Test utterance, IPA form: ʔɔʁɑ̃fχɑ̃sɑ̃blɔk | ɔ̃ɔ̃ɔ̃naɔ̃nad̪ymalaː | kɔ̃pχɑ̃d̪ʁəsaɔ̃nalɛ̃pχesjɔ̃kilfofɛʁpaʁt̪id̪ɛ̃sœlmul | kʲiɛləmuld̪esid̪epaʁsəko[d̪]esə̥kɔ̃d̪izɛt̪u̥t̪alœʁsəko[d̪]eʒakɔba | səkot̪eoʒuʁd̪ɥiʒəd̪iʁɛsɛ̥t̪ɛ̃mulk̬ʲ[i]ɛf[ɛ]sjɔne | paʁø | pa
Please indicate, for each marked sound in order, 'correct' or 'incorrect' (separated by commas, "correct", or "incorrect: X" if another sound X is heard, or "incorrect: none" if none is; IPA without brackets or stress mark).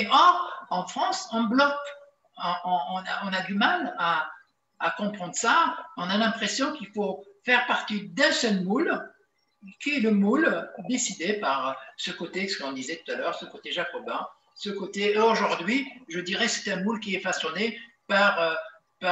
incorrect: t̪, incorrect: t̪, correct, incorrect: a